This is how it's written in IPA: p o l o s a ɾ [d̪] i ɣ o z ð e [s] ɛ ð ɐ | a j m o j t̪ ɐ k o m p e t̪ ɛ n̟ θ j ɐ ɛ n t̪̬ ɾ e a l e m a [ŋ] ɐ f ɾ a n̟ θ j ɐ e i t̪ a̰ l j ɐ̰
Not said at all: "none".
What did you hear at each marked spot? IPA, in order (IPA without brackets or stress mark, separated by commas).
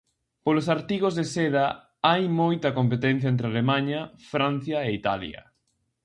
t̪, s, ɲ